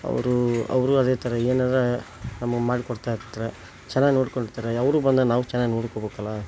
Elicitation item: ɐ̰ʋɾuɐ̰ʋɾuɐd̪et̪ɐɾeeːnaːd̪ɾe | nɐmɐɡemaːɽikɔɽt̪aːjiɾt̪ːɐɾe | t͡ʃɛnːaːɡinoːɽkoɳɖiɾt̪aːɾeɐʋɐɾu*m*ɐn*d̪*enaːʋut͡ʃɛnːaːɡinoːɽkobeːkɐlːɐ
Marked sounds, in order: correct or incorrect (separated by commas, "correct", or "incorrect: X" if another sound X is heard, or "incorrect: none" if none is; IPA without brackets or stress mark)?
incorrect: b, correct